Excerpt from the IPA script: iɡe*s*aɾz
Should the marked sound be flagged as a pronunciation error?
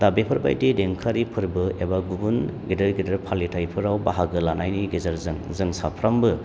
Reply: yes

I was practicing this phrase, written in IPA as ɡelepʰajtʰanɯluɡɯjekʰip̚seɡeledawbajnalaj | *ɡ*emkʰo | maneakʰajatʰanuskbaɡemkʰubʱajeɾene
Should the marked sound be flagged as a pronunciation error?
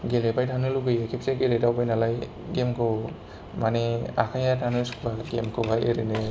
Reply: no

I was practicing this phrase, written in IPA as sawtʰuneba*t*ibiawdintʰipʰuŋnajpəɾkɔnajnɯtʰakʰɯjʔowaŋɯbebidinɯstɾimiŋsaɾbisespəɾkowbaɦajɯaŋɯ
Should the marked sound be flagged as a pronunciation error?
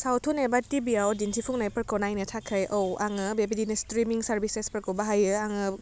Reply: no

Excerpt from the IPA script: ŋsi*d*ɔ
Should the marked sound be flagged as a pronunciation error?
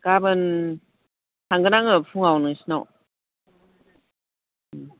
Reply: yes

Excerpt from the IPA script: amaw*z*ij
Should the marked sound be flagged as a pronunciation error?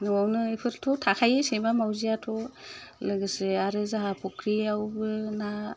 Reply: no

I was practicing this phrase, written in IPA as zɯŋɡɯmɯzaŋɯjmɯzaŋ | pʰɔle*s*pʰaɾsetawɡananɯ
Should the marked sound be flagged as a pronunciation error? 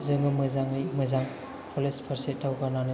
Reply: no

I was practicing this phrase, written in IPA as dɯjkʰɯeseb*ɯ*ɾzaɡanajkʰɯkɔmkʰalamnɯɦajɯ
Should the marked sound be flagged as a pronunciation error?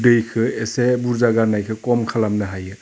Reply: yes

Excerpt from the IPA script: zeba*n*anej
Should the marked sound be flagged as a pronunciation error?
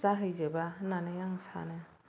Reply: no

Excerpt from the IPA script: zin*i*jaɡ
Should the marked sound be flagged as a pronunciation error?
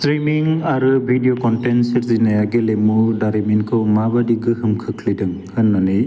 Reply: yes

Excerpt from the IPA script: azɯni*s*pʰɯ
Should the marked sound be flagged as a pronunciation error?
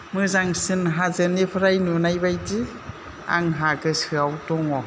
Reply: yes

